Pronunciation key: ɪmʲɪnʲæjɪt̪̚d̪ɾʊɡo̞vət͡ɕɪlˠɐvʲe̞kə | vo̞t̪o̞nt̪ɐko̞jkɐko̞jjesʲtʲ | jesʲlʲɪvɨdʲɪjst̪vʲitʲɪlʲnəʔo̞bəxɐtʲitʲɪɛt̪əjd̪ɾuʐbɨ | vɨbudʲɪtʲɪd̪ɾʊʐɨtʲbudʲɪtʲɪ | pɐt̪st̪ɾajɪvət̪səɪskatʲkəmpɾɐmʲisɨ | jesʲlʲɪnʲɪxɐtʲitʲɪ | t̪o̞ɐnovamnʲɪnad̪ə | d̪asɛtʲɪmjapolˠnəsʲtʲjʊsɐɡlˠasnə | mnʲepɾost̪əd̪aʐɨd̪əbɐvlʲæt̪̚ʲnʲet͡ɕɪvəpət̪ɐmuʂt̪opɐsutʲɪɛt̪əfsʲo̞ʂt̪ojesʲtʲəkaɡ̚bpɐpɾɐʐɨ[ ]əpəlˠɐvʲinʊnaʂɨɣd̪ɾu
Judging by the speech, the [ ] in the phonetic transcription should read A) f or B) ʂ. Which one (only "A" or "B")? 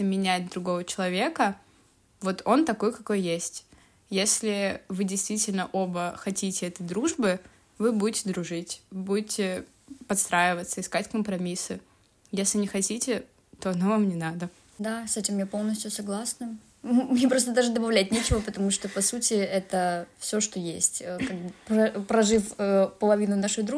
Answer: A